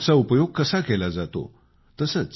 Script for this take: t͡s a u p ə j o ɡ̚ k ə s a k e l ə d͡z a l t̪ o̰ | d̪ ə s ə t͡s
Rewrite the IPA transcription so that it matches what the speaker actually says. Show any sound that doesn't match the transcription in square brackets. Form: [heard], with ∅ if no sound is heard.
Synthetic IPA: t͡s a u p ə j o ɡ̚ k ə s a k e l [a] d͡z a [∅] t̪ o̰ | [t̪] ə s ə t͡s